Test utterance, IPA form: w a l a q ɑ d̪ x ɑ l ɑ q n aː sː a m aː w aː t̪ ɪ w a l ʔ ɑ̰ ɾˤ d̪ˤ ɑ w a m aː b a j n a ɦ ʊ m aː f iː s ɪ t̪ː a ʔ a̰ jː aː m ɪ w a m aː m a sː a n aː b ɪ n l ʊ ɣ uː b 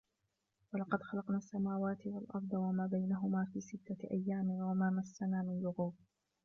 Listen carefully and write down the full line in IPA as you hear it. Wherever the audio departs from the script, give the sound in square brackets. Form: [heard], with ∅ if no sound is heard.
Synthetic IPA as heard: w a l [ɑ] q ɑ d̪ x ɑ l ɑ q n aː sː a m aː w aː t̪ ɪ w a l ʔ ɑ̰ ɾˤ d̪ˤ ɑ w a m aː b a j n a ɦ ʊ m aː f iː s ɪ t̪ː a ʔ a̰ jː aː m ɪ w a m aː m a sː a n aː [m] ɪ n l ʊ ɣ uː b

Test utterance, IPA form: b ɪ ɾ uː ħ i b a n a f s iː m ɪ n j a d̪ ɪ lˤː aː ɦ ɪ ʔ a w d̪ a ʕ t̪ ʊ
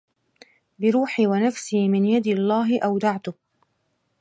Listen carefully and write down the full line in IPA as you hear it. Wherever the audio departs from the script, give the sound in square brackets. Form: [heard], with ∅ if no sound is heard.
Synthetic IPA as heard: b ɪ ɾ uː ħ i [w] a n a f s iː m ɪ n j a d̪ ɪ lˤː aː ɦ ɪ ʔ a w d̪ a ʕ t̪ ʊ

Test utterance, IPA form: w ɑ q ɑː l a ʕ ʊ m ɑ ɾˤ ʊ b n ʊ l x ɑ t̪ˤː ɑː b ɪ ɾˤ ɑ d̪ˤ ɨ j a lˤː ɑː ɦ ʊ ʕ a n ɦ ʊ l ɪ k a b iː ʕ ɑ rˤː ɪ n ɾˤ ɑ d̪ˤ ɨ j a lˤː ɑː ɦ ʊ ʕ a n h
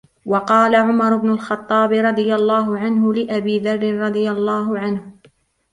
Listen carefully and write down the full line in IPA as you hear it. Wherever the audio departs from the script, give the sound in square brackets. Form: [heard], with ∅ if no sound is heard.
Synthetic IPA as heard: w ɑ q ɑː l a ʕ ʊ m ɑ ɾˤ ʊ b n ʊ l x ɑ t̪ˤː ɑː b ɪ ɾˤ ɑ d̪ˤ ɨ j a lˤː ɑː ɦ ʊ ʕ a n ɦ ʊ l ɪ [ʔ] a b iː [ð] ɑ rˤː ɪ n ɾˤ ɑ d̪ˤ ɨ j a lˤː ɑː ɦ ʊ ʕ a n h

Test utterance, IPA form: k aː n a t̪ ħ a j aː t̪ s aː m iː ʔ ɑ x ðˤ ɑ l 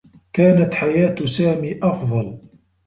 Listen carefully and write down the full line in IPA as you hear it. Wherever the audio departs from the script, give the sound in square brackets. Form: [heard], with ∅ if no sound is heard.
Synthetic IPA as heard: k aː n a t̪ ħ a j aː t̪ s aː m iː ʔ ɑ [f] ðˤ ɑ l

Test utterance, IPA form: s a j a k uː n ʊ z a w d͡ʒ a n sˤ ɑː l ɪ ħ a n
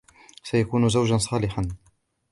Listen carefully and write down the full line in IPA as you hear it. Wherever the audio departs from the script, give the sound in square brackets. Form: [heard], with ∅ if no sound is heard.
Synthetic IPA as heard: s a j a k uː n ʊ z a w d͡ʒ a n sˤ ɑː l ɪ ħ a n

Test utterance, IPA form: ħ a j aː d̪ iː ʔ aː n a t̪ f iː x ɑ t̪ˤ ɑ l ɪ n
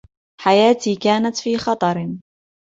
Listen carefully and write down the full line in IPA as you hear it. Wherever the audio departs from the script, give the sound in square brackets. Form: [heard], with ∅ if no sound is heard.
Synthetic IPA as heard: ħ a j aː [t̪] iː [k] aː n a t̪ f iː x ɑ t̪ˤ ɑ [ɾ] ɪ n

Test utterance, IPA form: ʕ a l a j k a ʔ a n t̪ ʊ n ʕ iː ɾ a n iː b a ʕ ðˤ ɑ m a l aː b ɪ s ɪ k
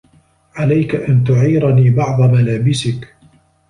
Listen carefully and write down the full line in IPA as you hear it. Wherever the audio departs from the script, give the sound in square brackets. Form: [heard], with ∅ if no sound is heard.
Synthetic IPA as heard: ʕ a l a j k a ʔ a n t̪ ʊ [∅] ʕ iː ɾ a n iː b [ɑ] ʕ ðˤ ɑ m a l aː b ɪ s ɪ k

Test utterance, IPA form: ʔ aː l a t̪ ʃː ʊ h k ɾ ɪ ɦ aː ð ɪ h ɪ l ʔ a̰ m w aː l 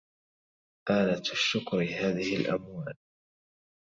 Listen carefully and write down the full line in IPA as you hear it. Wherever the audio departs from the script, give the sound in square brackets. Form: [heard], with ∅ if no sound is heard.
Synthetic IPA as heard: ʔ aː l a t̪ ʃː ʊ [∅] k ɾ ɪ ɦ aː ð ɪ h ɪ l ʔ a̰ m w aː l

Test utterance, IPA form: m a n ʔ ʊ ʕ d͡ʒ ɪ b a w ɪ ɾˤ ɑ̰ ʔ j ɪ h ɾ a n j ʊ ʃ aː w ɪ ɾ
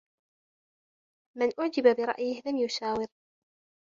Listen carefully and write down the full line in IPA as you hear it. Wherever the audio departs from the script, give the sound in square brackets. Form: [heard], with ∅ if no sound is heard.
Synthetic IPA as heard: m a n ʔ ʊ ʕ d͡ʒ ɪ b a [b] ɪ ɾˤ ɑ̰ ʔ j ɪ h [l] a [m] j ʊ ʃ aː w ɪ ɾ

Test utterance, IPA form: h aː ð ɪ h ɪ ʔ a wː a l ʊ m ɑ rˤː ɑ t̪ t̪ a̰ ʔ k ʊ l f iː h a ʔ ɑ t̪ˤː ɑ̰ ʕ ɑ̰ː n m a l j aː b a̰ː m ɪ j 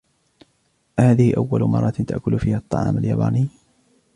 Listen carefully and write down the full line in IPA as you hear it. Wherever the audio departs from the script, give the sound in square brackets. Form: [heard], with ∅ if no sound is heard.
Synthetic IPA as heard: h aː ð ɪ h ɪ ʔ a wː a l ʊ m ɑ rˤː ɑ t̪ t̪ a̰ ʔ k ʊ l f iː h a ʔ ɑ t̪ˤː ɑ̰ ʕ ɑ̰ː [∅] m a l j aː b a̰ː [n] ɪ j

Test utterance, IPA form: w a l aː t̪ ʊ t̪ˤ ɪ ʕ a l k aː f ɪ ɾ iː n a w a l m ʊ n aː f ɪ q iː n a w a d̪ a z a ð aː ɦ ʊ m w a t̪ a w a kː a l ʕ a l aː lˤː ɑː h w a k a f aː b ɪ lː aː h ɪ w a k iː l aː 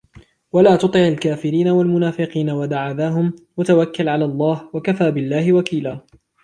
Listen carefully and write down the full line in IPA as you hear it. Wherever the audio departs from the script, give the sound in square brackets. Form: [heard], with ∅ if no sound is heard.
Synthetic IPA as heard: w a l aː t̪ ʊ t̪ˤ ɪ ʕ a l k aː f ɪ ɾ iː n a w a l m ʊ n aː f ɪ q iː n a w a d̪ a [ʕ] a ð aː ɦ ʊ m w a t̪ a w a kː a l ʕ a l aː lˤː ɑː h w a k a f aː b ɪ lː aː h ɪ w a k iː l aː

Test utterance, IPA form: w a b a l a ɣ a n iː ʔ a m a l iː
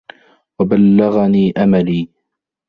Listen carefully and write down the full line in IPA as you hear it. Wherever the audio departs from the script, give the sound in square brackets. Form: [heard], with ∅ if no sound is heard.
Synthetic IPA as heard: w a b a [lː] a ɣ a n iː ʔ a m a l iː

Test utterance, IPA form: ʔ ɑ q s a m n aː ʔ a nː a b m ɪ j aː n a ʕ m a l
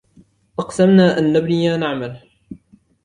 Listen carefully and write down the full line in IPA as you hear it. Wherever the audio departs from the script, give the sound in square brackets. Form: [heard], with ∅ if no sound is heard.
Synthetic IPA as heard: ʔ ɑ q s a m n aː ʔ a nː a b [n] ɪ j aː n a ʕ m a l

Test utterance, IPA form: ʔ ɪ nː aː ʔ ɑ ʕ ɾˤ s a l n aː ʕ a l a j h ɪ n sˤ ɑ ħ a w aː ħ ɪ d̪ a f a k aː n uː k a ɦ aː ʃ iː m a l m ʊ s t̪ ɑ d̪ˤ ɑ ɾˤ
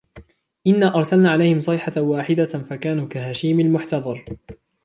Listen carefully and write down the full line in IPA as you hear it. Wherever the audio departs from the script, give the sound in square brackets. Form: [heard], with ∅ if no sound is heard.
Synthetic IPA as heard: ʔ ɪ nː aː ʔ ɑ [∅] ɾˤ s a l n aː ʕ a l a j h ɪ [m] sˤ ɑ ħ a w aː ħ ɪ d̪ a f a k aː n uː k a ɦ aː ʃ iː m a l m ʊ [ħ] t̪ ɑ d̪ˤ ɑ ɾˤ

